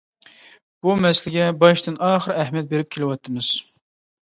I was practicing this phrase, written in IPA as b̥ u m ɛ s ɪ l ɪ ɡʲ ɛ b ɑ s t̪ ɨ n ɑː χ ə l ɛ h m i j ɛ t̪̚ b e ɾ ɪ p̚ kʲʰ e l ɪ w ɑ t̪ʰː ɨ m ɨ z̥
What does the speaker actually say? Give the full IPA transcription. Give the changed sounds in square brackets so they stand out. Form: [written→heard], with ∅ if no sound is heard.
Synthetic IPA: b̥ u m ɛ s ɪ l ɪ ɡʲ ɛ b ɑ [s→ʃ] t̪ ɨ n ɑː χ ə [l→ɾ] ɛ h m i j ɛ t̪̚ b e ɾ ɪ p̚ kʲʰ e l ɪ w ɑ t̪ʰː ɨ m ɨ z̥